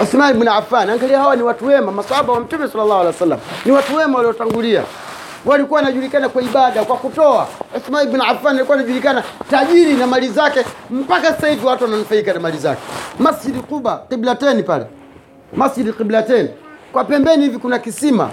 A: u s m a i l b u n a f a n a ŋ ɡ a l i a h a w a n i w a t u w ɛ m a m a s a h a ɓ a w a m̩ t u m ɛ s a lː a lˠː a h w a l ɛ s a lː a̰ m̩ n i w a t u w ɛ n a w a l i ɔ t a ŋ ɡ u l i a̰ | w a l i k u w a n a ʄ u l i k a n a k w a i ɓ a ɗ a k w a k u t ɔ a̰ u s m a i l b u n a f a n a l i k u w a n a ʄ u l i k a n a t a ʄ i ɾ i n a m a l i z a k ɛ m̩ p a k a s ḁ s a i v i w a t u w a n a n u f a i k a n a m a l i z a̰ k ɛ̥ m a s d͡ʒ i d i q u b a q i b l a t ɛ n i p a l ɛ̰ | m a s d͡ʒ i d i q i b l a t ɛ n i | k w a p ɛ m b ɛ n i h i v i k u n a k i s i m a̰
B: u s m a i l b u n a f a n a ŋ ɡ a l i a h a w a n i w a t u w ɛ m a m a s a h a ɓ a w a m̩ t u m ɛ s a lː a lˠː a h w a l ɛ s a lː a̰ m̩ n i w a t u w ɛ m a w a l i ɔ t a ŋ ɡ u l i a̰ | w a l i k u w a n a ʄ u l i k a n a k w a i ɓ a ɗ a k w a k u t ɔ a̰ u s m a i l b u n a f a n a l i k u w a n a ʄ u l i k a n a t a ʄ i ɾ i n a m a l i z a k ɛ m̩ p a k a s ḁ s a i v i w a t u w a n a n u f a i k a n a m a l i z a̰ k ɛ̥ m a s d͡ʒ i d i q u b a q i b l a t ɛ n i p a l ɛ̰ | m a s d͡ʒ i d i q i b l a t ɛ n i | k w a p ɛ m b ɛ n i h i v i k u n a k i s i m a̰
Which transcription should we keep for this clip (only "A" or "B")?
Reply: B